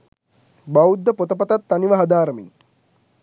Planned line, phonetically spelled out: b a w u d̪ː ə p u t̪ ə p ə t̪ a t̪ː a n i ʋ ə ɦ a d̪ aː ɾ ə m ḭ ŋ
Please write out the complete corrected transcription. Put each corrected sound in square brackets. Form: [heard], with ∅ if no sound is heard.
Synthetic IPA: b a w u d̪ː ə p [o] t̪ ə p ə t̪ a t̪ː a n i ʋ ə ɦ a d̪ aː ɾ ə m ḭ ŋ